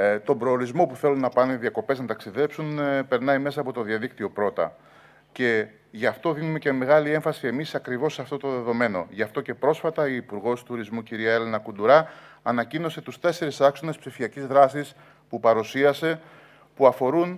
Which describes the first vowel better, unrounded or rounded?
rounded